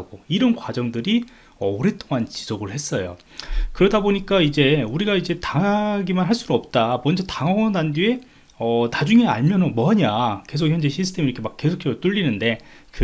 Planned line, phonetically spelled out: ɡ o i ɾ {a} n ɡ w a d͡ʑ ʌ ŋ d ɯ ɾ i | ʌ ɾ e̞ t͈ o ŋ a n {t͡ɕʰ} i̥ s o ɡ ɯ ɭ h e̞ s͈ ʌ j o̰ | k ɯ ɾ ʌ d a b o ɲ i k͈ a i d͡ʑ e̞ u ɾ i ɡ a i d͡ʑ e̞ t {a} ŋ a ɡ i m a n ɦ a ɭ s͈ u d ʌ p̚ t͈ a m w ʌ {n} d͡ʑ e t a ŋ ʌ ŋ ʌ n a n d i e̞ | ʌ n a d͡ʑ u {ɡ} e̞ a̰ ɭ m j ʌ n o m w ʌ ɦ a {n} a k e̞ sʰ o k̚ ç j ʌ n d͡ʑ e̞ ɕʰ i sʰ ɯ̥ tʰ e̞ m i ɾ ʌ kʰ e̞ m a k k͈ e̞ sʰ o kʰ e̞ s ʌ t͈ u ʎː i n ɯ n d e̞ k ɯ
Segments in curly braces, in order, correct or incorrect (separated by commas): incorrect, incorrect, correct, correct, incorrect, incorrect